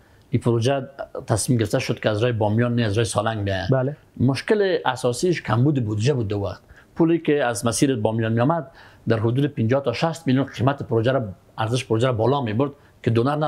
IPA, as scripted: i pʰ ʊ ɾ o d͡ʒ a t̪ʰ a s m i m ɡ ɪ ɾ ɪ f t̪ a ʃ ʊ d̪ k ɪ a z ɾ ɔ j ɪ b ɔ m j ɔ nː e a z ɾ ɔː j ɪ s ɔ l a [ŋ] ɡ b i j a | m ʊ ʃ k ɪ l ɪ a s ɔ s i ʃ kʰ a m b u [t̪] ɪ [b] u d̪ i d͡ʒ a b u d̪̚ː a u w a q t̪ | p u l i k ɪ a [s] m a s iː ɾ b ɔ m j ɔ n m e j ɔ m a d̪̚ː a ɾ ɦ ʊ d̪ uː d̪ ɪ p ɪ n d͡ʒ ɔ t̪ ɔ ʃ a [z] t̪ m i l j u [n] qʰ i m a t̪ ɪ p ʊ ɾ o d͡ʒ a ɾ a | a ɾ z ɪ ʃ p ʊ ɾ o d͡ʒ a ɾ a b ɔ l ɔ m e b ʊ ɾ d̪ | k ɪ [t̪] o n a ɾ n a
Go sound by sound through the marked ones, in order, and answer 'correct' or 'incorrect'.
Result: correct, incorrect, correct, incorrect, incorrect, correct, incorrect

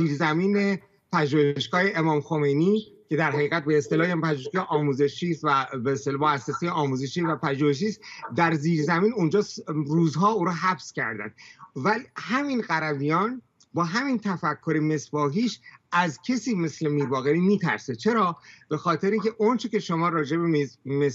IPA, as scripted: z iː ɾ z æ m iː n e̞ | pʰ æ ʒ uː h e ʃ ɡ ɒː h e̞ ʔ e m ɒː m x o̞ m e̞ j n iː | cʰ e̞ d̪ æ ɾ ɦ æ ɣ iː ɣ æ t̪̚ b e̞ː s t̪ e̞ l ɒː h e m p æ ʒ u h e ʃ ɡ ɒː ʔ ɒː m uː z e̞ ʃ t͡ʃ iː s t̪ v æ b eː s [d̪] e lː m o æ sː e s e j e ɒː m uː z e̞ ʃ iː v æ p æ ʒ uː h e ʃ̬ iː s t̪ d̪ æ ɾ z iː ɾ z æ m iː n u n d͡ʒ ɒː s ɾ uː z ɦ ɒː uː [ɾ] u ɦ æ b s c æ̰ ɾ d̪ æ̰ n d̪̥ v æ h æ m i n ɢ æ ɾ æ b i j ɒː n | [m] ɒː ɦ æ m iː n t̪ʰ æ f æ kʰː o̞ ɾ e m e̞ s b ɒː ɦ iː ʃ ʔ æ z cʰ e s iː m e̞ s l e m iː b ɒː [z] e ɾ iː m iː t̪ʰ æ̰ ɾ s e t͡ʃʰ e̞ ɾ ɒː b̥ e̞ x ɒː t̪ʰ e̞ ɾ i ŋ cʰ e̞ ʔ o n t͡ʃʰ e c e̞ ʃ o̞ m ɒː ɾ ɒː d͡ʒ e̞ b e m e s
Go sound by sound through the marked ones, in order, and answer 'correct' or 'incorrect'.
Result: incorrect, correct, incorrect, incorrect

